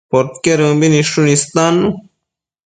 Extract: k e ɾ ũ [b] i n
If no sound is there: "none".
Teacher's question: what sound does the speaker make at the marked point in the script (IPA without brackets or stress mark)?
b